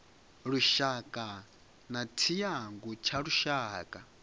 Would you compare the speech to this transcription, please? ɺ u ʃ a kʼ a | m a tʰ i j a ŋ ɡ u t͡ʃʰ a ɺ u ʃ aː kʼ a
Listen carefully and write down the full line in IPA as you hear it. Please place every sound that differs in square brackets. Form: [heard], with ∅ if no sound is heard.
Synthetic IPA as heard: ɺ u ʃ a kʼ a | [n] a tʰ i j a ŋ ɡ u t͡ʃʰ a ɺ u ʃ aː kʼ a

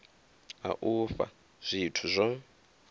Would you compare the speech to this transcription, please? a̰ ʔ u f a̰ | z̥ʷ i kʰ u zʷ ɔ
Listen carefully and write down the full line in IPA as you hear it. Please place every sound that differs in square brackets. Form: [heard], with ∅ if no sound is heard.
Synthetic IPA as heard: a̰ ʔ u f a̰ | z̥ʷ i [tʰ] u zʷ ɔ

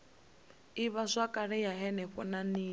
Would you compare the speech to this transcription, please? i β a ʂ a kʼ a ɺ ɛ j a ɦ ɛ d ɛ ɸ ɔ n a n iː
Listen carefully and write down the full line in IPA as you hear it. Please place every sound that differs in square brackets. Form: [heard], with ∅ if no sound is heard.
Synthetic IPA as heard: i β a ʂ a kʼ a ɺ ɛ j a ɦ ɛ [n] ɛ ɸ ɔ n a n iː

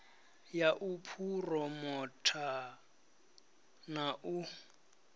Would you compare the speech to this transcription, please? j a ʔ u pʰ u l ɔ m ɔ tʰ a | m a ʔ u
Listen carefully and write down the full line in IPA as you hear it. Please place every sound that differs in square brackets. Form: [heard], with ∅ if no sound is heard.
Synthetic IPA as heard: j a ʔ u pʰ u [r] ɔ m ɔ tʰ a | [n] a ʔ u

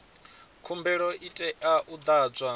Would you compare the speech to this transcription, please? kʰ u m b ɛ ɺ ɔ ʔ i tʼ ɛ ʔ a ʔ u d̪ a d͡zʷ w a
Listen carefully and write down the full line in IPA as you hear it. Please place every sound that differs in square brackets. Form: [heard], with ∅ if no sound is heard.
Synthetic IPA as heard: kʰ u m b ɛ ɺ ɔ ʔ i tʼ ɛ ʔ a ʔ u d̪ a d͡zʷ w a

